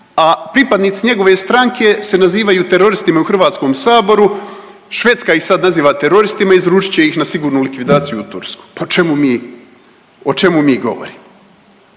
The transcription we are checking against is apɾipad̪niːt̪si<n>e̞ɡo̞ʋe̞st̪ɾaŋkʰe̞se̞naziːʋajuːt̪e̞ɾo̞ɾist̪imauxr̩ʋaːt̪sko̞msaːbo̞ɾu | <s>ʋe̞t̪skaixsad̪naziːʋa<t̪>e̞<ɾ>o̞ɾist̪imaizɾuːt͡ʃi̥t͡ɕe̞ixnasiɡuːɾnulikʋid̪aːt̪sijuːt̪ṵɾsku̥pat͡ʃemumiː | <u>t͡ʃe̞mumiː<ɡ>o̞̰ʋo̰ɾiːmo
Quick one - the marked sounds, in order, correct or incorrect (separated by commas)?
incorrect, incorrect, correct, correct, incorrect, correct